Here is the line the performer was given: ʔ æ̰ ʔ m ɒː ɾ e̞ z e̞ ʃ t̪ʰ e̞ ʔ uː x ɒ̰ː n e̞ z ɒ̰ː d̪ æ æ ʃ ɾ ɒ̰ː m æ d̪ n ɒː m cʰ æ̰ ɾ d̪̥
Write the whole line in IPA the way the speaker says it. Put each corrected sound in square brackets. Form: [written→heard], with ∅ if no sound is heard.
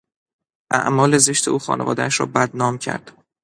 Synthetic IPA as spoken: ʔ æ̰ ʔ m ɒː [ɾ→l] e̞ z e̞ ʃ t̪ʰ e̞ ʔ uː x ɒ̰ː n e̞ [z→v] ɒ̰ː d̪ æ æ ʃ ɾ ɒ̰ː [m→b] æ d̪ n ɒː m cʰ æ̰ ɾ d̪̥